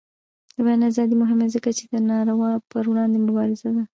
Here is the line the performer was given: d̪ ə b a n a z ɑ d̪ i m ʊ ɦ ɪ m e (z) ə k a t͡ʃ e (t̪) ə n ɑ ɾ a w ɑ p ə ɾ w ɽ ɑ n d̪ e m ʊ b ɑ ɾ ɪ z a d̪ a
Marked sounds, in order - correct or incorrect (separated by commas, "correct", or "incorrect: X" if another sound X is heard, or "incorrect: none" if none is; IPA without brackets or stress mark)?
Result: correct, incorrect: d̪